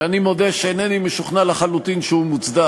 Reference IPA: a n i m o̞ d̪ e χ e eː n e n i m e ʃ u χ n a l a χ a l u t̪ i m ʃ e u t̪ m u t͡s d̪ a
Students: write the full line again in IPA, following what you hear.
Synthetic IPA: a n i m o̞ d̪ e ʃ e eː n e n i m e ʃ u χ n a l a χ a l u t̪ i n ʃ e u m u t͡s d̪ a